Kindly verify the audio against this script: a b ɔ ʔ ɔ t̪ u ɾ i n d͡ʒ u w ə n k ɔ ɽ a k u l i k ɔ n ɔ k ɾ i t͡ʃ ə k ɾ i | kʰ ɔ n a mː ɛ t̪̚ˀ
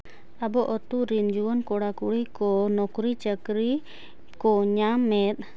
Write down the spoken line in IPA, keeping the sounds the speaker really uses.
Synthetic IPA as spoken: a b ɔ ʔ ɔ t̪ u ɾ i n d͡ʒ u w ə n k ɔ ɽ a k u ɽ i k ɔ n ɔ k ɾ i t͡ʃ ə k ɾ i | k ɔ ɲ a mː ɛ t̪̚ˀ